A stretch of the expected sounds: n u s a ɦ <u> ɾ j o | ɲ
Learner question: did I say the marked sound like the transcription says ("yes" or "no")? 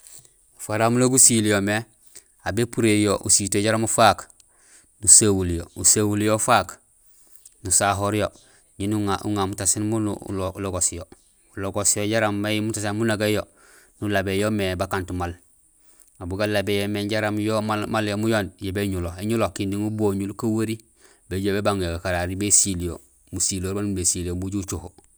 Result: no